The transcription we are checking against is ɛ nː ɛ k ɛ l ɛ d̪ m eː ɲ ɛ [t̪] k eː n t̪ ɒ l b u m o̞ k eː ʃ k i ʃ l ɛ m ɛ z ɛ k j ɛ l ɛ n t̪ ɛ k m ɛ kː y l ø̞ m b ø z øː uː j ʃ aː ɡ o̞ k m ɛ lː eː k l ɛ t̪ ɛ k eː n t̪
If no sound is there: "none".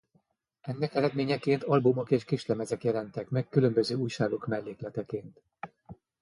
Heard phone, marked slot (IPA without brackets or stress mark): none